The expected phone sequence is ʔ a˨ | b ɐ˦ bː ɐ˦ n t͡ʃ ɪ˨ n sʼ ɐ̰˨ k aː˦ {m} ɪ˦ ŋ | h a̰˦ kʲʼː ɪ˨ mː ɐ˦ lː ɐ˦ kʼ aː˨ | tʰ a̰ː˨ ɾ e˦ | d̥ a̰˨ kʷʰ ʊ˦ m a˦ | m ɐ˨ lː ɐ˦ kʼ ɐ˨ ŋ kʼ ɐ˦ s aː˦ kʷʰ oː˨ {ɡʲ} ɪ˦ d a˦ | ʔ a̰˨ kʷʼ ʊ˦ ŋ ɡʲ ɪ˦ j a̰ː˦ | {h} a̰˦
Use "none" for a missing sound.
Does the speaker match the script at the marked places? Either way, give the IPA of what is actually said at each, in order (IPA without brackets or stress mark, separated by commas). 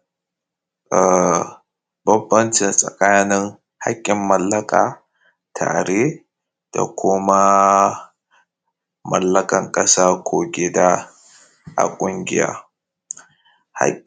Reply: n, ɡʲ, h